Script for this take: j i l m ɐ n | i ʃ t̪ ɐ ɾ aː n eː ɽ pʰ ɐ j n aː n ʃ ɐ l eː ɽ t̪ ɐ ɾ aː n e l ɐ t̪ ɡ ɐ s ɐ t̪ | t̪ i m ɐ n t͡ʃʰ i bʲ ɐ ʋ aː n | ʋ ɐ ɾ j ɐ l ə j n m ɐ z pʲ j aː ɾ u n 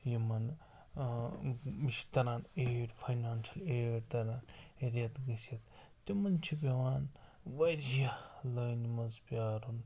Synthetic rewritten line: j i m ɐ n | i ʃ t̪ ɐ ɾ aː n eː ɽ pʰ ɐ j n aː n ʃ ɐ l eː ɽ t̪ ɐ ɾ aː n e ɾ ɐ t̪ ɡ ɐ s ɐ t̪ | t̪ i m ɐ n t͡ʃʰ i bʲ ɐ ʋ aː n | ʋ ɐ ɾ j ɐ l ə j n m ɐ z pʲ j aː ɾ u n